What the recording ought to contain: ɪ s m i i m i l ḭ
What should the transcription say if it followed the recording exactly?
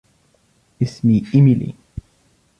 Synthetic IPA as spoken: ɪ s m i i m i l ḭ